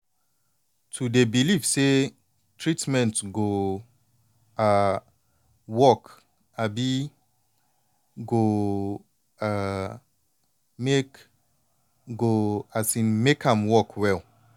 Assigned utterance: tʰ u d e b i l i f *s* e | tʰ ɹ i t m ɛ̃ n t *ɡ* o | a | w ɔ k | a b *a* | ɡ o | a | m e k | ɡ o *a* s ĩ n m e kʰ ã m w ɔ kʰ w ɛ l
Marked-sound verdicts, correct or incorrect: correct, correct, incorrect, correct

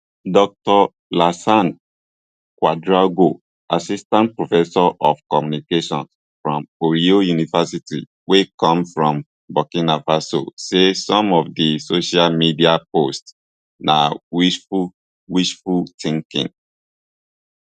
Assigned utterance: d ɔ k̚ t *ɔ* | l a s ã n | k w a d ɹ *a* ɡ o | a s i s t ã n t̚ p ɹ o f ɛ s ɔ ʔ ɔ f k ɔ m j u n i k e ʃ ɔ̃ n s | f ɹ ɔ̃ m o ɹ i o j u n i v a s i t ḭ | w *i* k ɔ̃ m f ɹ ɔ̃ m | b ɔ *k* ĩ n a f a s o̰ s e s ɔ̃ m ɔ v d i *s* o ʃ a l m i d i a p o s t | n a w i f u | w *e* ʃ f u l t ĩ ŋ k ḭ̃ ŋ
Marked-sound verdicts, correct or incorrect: correct, correct, incorrect, correct, correct, incorrect

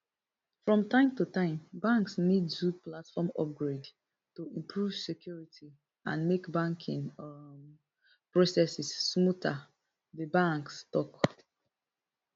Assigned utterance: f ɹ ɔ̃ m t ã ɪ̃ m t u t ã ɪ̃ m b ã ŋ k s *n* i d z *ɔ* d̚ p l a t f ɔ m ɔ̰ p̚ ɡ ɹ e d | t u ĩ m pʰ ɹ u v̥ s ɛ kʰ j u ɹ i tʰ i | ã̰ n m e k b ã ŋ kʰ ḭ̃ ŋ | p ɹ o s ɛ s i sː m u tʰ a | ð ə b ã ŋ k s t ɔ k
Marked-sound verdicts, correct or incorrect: correct, incorrect

